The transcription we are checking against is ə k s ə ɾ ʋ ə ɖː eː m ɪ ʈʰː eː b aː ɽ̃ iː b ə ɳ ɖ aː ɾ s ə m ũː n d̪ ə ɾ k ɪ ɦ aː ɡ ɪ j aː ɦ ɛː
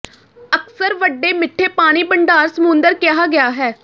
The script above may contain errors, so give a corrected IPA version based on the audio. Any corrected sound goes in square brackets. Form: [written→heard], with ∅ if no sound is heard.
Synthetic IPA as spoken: ə k s ə ɾ ʋ ə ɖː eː m ɪ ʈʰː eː [b→p] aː ɽ̃ iː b ə ɳ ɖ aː ɾ s ə m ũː n d̪ ə ɾ k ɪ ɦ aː ɡ ɪ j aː ɦ ɛː

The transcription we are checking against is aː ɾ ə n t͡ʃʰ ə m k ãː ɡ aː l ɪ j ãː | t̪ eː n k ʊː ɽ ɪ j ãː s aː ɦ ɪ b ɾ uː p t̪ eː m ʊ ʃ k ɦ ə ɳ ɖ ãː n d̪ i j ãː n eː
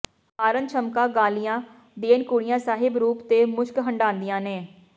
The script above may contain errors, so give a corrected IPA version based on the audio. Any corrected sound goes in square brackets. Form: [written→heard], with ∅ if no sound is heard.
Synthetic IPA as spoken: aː ɾ ə n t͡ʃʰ ə m k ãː ɡ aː l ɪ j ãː | [t̪→d̪] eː n k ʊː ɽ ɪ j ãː s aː ɦ ɪ b ɾ uː p t̪ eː m ʊ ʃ k ɦ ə ɳ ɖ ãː n d̪ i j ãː n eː

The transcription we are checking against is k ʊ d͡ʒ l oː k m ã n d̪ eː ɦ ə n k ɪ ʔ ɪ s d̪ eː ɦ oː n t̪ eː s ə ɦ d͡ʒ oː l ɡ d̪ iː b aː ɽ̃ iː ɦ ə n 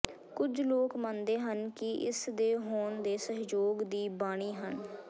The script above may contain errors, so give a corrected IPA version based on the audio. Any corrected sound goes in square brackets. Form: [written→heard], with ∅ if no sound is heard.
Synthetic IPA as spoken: k ʊ d͡ʒ l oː k m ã n d̪ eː ɦ ə n k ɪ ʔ ɪ s d̪ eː ɦ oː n [t̪→d̪] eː s ə ɦ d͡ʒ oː [l→∅] ɡ d̪ iː b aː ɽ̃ iː ɦ ə n

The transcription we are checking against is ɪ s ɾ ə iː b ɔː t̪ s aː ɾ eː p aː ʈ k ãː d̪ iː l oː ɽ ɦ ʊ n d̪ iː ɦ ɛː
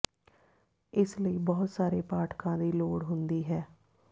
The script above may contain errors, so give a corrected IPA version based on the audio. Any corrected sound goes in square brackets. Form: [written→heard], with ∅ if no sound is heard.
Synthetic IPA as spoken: ɪ s [ɾ→l] ə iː b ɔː t̪ s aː ɾ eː p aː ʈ k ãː d̪ iː l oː ɽ ɦ ʊ n d̪ iː ɦ ɛː

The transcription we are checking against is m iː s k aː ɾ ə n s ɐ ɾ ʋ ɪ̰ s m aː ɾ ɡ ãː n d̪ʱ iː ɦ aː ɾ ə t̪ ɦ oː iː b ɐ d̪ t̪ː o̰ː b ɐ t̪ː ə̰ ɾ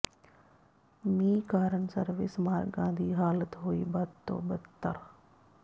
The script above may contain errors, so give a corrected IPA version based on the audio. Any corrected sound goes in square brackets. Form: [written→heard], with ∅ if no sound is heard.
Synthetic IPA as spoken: m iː [s→∅] k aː ɾ ə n s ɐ ɾ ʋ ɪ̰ s m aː ɾ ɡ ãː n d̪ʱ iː ɦ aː [ɾ→l] ə t̪ ɦ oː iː b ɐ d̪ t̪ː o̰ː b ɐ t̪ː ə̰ ɾ

